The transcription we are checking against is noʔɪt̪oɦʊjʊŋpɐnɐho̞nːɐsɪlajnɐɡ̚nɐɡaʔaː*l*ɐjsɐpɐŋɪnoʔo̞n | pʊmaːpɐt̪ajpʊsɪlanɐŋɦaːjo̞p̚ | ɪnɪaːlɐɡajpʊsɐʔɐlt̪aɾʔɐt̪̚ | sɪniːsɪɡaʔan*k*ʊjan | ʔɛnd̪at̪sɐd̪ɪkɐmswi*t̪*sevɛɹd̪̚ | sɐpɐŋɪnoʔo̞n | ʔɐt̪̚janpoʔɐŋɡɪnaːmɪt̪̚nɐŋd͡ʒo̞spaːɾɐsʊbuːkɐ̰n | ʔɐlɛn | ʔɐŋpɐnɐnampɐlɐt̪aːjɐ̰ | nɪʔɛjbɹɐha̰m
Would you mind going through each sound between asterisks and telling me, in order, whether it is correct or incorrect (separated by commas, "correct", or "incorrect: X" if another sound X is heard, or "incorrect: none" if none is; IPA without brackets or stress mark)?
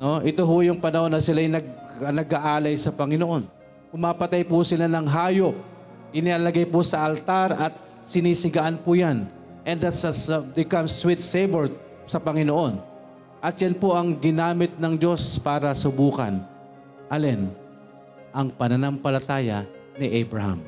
correct, incorrect: p, correct